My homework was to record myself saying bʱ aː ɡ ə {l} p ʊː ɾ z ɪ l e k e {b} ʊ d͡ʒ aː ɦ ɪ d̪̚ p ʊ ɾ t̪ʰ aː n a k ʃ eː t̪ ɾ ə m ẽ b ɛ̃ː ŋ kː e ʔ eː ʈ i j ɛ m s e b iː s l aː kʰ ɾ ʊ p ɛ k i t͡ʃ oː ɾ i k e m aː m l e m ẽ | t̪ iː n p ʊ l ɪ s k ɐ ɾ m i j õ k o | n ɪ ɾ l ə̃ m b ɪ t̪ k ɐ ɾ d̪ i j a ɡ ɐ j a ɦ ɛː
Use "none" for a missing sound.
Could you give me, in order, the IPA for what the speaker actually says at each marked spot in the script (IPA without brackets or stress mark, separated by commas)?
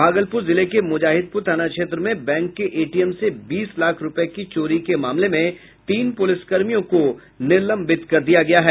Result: l, m